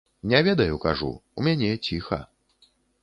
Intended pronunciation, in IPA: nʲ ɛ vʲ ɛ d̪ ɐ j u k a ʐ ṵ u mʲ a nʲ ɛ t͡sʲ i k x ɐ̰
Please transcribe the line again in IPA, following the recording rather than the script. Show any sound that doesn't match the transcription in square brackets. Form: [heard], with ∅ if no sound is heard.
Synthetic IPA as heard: nʲ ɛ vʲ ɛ d̪ ɐ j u k a ʐ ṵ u mʲ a nʲ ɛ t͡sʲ i [∅] x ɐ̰